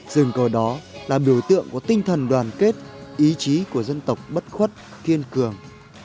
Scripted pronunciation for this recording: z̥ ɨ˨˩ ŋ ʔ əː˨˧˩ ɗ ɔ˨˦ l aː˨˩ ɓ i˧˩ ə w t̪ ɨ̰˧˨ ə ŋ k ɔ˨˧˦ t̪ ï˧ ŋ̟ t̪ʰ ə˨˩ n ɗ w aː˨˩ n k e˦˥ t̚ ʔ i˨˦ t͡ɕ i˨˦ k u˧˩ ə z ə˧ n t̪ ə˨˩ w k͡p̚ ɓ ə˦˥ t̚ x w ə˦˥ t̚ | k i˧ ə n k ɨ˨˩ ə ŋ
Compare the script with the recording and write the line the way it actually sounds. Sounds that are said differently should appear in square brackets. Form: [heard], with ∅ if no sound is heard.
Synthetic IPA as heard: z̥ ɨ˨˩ ŋ [k] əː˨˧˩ ɗ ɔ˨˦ l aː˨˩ ɓ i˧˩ ə w t̪ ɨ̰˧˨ ə ŋ k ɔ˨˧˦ t̪ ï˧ ŋ̟ t̪ʰ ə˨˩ n ɗ w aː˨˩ n k e˦˥ t̚ ʔ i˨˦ t͡ɕ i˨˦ k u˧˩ ə z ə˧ n t̪ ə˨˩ w k͡p̚ ɓ ə˦˥ t̚ x w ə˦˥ t̚ | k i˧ ə n k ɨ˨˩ ə ŋ